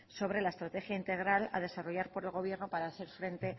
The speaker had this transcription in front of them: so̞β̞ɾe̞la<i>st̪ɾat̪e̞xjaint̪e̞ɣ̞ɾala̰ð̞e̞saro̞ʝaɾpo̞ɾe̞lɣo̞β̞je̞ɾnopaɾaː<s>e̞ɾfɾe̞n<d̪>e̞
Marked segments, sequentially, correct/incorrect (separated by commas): incorrect, incorrect, incorrect